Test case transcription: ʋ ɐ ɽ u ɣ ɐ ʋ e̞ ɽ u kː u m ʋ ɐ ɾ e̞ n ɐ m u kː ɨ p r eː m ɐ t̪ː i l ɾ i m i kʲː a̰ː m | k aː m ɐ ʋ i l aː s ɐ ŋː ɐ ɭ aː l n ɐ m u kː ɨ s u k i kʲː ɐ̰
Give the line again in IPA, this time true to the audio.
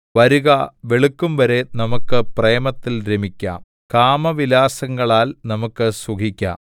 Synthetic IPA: ʋ ɐ ɾ u ɣ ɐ ʋ e̞ ɭ u kː u m ʋ ɐ ɾ e̞ n ɐ m u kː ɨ p r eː m ɐ t̪ː i l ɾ e m i kʲː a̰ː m | k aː m ɐ ʋ i l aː s ɐ ŋː ɐ ɭ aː l n ɐ m u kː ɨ s u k i kʲː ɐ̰